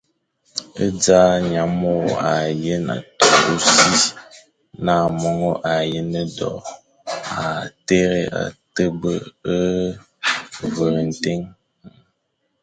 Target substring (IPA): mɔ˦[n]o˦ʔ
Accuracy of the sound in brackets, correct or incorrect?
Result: incorrect